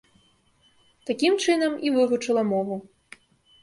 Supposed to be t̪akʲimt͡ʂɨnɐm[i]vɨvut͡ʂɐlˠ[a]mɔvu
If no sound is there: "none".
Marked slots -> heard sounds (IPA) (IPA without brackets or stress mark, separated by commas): i, ɐ